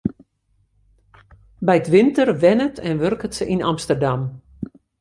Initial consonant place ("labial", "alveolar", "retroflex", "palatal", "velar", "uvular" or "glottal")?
labial